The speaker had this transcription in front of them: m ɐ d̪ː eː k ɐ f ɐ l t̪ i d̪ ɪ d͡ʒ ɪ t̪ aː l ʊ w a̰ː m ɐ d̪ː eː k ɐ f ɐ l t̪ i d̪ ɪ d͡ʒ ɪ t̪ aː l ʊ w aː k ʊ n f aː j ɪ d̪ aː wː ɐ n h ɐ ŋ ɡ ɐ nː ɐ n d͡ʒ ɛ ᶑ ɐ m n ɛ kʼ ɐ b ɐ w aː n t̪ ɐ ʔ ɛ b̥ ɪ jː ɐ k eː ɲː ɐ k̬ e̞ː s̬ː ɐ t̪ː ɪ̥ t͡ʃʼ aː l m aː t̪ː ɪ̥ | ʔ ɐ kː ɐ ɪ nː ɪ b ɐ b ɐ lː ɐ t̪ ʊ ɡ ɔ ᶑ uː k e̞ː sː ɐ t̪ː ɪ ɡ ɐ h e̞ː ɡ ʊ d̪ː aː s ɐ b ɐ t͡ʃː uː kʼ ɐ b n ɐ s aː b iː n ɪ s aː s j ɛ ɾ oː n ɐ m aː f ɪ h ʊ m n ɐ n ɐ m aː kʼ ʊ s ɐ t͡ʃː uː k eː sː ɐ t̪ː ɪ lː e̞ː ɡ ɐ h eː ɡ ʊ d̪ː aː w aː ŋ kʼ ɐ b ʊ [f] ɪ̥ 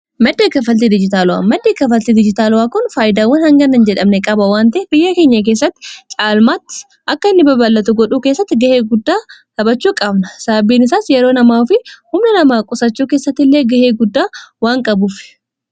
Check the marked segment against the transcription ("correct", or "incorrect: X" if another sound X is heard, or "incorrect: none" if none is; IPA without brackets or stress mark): correct